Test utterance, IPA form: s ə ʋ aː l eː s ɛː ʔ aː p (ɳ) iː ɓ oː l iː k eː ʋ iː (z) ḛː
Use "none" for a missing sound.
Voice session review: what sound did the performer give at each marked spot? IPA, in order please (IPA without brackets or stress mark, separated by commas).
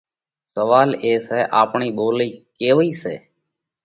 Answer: ɳ, s